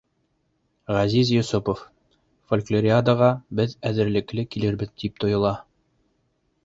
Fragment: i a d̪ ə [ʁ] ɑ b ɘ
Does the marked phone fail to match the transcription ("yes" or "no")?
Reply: no